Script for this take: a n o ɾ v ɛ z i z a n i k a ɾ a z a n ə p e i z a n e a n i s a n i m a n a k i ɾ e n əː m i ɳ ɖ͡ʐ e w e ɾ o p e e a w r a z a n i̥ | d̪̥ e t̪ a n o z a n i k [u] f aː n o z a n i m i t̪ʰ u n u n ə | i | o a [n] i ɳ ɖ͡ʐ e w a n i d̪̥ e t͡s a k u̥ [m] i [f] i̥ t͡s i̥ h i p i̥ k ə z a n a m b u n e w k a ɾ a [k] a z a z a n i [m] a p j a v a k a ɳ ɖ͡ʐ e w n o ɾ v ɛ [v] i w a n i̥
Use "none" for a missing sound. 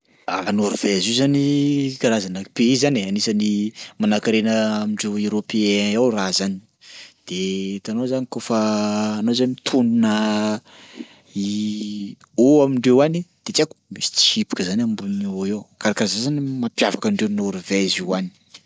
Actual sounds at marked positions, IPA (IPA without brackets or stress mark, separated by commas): o, m, m, s, k, m, z